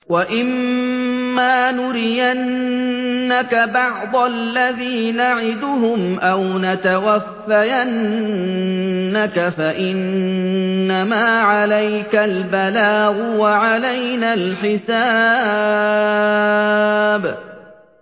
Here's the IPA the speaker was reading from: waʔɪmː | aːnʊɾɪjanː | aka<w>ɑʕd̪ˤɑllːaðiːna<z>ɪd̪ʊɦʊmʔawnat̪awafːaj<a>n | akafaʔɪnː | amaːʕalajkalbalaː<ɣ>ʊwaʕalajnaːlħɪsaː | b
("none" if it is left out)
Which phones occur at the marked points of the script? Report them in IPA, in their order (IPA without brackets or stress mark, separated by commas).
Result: b, ʕ, a, ɣ